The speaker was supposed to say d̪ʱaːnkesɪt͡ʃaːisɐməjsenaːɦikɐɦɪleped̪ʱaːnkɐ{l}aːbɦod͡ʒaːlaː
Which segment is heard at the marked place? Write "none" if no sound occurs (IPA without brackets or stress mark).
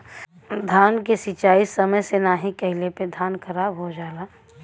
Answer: ɾ